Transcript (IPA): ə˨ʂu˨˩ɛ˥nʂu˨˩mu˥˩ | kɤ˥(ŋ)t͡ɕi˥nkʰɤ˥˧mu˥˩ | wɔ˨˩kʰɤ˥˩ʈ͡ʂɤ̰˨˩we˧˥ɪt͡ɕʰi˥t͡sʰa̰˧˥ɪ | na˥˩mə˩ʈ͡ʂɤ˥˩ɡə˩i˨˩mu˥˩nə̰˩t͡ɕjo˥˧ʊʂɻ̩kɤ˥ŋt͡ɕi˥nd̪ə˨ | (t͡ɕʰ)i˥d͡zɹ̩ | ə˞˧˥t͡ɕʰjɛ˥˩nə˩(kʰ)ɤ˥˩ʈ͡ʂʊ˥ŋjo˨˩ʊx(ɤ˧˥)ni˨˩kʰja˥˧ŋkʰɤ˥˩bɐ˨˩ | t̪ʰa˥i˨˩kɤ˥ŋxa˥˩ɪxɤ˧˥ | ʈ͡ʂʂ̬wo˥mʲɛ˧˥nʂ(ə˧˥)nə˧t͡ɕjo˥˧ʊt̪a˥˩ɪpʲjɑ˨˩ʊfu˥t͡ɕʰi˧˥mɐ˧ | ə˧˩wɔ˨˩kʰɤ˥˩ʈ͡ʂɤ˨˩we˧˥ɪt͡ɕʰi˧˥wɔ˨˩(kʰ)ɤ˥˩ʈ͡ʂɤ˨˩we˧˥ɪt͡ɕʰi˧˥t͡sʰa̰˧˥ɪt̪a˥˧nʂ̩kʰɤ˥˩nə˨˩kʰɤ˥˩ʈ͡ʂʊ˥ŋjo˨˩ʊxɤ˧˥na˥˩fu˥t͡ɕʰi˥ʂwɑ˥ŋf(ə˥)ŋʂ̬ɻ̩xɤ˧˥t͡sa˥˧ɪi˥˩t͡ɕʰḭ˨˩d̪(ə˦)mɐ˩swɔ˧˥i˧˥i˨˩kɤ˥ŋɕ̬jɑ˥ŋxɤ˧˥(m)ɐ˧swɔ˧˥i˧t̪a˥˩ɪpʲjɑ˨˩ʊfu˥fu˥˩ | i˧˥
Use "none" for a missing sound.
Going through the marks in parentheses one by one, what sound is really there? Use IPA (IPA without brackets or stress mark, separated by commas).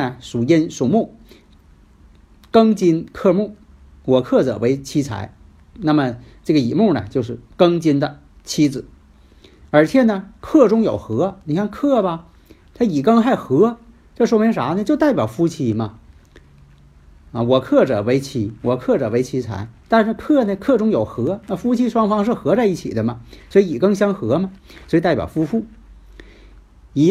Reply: ŋ, t͡ɕʰ, kʰ, ɤ˧˥, a˧˥, kʰ, ɑ˥, ə˦, m